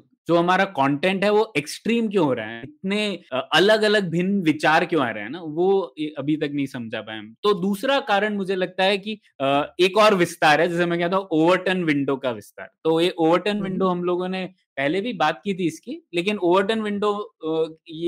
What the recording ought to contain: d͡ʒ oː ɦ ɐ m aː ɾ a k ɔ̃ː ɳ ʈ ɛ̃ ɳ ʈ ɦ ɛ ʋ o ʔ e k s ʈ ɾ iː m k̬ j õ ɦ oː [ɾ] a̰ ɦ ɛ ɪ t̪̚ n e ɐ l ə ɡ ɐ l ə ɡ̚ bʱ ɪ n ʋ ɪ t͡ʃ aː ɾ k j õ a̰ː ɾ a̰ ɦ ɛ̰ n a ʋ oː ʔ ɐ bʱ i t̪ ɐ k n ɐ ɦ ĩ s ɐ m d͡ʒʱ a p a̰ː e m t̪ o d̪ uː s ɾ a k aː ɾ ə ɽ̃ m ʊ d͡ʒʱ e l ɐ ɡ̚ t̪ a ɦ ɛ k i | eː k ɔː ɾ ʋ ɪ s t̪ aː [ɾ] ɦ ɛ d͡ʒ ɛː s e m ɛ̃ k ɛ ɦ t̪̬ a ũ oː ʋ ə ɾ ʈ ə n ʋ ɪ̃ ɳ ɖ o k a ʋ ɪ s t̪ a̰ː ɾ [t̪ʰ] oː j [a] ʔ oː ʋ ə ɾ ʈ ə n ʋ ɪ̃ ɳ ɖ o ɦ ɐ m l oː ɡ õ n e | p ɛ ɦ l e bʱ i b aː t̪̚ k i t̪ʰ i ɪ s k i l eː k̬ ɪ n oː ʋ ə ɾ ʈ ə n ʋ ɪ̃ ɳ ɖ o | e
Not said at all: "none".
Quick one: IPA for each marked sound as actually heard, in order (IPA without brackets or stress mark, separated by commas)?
ɾ, ɾ, t̪, e